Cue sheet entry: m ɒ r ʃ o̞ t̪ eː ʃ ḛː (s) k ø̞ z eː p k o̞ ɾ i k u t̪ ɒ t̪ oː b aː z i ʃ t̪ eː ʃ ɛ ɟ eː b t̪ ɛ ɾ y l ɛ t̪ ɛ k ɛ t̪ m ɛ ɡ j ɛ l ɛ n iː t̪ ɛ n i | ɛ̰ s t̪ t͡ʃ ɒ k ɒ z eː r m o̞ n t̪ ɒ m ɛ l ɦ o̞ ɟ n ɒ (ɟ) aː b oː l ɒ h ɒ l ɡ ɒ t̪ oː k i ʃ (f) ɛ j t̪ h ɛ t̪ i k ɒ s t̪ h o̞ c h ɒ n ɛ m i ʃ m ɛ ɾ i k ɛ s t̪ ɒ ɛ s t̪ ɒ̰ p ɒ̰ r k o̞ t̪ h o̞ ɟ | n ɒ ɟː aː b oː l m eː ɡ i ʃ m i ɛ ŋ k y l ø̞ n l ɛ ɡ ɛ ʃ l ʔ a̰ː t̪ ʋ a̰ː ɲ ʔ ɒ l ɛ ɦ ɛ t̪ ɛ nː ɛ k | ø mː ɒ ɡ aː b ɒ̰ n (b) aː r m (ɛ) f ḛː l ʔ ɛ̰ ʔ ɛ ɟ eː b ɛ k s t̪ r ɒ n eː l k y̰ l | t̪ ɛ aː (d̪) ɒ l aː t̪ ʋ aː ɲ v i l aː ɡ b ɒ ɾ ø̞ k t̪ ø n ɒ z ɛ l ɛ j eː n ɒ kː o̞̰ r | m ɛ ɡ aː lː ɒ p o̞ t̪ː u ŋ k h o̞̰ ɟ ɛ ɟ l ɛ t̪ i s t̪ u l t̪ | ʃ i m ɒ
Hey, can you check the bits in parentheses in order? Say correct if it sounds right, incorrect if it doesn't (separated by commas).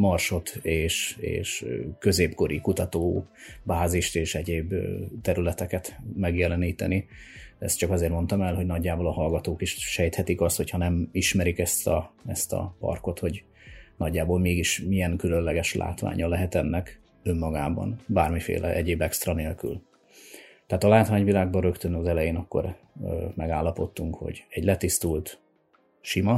incorrect, incorrect, incorrect, correct, incorrect, incorrect